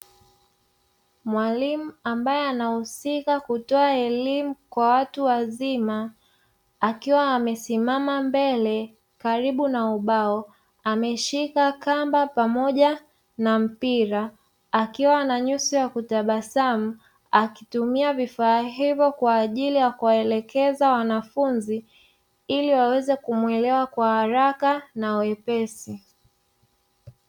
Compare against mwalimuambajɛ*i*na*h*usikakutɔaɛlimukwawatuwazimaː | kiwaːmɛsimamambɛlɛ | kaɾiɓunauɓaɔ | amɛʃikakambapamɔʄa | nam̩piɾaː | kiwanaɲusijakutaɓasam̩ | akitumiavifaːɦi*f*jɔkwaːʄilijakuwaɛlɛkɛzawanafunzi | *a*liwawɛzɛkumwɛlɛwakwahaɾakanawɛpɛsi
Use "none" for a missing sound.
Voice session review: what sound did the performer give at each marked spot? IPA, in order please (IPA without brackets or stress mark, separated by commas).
a, h, v, i